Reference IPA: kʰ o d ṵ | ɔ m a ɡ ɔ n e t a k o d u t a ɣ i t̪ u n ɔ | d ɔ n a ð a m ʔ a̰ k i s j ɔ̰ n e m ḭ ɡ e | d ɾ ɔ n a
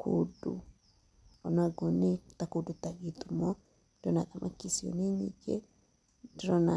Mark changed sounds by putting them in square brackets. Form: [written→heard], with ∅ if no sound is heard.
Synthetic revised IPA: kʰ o d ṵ | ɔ [m→n] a ɡ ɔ n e t a k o d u t a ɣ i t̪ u [n→m] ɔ | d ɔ n a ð a m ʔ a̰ k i s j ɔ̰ n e [m→ɲ] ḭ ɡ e | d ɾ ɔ n a